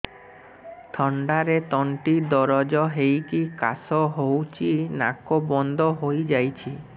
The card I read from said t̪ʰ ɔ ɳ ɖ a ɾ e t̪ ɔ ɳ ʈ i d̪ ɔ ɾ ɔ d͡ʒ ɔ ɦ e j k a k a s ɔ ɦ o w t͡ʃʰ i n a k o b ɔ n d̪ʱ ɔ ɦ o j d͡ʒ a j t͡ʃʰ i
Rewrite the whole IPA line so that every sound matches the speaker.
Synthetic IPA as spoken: t̪ʰ ɔ ɳ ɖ a ɾ e t̪ ɔ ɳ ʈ i d̪ ɔ ɾ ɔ d͡ʒ ɔ ɦ e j k i k a s ɔ ɦ o w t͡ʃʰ i n a k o b ɔ n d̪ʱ ɔ ɦ o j d͡ʒ a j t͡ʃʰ i

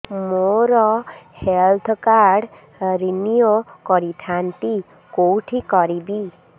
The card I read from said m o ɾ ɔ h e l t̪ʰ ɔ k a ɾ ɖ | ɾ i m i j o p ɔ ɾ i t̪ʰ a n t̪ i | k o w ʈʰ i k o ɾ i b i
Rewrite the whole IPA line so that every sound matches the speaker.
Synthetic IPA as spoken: m o ɾ ɔ h e l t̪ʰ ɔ k a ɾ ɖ | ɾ i n i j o k ɔ ɾ i t̪ʰ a n t̪ i | k o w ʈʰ i k ɔ ɾ i b i

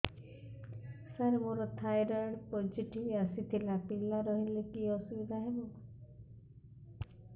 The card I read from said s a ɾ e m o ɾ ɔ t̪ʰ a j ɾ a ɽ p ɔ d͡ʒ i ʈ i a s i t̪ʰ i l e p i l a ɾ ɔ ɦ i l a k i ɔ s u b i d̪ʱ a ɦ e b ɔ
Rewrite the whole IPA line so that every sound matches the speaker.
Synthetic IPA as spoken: s a ɾ e m o ɾ ɔ t̪ʰ a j ɾ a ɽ p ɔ d͡ʒ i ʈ i a s i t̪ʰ i l a p i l a ɾ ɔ ɦ i l e k i ɔ s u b i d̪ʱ a ɦ e b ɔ

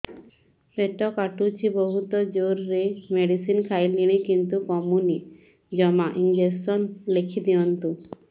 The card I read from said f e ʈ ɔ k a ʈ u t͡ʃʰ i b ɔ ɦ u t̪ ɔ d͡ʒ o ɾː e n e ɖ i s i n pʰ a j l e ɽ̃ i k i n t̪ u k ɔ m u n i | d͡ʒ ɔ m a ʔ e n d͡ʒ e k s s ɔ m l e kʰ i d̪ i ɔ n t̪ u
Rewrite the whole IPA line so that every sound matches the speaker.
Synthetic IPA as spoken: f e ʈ ɔ k a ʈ u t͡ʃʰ i b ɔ ɦ u t̪ ɔ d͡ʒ o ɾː e m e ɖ i s i n kʰ a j l i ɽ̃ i k i n t̪ u k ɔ m u n i | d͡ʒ ɔ m a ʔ i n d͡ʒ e s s ɔ n l e kʰ i d̪ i ɔ n t̪ u

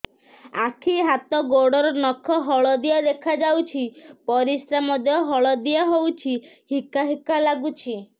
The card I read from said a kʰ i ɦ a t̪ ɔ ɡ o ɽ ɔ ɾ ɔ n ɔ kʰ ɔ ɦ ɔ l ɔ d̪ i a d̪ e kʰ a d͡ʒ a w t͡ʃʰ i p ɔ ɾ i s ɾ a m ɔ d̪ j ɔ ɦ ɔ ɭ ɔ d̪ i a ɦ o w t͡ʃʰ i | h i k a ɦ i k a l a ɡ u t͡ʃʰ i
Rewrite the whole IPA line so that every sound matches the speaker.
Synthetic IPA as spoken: a kʰ i ɦ a t̪ ɔ ɡ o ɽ ɔ ɾ ɔ n ɔ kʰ ɔ ɦ ɔ ɭ ɔ d̪ i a d̪ e kʰ a d͡ʒ a w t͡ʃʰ i p ɔ ɾ i s ɾ a m ɔ d̪ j ɔ ɦ ɔ ɭ ɔ d̪ i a ɦ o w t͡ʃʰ i | h i k a ɦ i k a l a ɡ u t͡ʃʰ i

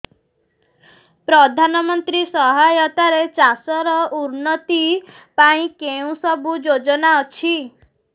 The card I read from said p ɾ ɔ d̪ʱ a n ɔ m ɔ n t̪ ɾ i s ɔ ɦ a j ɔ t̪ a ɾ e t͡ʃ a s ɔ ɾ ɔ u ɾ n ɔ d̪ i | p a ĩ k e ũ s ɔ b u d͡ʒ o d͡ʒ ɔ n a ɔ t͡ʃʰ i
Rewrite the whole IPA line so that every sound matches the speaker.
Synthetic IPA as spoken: p ɾ ɔ d̪ʱ a n ɔ m ɔ n t̪ ɾ i s ɔ ɦ a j ɔ t̪ a ɾ e t͡ʃ a s ɔ ɾ ɔ u ɾ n ɔ t̪ i | p a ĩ k e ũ s ɔ b u d͡ʒ o d͡ʒ ɔ n a ɔ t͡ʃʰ i

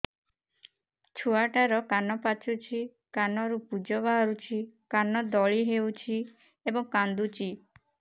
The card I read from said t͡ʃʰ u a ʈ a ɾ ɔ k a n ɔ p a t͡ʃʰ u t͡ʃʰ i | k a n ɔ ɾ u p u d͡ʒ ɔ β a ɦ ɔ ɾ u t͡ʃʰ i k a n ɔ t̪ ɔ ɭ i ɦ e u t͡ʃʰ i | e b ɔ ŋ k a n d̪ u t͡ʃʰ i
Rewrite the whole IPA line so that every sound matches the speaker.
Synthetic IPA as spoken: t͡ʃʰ u a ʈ a ɾ ɔ k a n ɔ p a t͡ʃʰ u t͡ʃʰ i | k a n ɔ ɾ u p u d͡ʒ ɔ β a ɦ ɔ ɾ u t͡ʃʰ i k a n ɔ d̪ ɔ ɭ i ɦ e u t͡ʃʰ i | e b ɔ ŋ k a n d̪ u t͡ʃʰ i

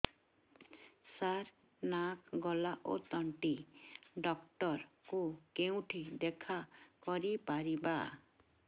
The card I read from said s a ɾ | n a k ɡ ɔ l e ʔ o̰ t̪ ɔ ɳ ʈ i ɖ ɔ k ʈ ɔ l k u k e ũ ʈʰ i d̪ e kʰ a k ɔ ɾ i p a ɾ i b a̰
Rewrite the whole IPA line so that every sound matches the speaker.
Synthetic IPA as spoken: s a ɾ | n a k ɡ ɔ l a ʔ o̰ t̪ ɔ ɳ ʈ i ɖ ɔ k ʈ ɔ ɾ k u k e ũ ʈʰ i d̪ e kʰ a k ɔ ɾ i p a ɾ i b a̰

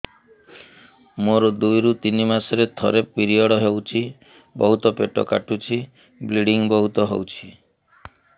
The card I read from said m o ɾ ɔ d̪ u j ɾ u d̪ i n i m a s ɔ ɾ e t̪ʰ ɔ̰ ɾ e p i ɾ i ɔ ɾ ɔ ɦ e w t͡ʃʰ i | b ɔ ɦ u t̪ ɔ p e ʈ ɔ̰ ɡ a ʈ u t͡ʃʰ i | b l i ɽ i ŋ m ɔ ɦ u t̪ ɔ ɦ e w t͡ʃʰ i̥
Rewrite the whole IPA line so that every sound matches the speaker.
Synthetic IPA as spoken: m o ɾ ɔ d̪ u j ɾ u t̪ i n i m a s ɔ ɾ e t̪ʰ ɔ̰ ɾ e p i ɾ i ɔ ɽ ɔ ɦ e w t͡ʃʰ i | b ɔ ɦ u t̪ ɔ p e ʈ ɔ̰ k a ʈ u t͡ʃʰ i | b l i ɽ i ŋ b ɔ ɦ u t̪ ɔ ɦ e w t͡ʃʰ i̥

